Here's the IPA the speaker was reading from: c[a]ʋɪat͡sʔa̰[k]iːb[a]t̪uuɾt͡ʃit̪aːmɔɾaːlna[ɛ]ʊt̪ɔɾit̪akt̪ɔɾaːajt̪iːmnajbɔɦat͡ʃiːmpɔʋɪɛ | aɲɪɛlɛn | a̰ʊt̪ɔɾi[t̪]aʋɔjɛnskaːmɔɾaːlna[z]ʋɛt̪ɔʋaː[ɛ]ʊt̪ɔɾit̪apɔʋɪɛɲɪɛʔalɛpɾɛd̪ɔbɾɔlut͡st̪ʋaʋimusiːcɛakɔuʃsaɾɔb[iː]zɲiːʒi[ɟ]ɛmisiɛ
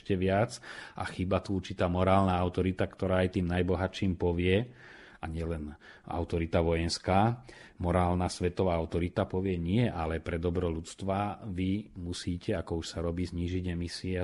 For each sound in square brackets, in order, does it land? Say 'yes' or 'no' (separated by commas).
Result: no, no, yes, no, yes, no, no, yes, yes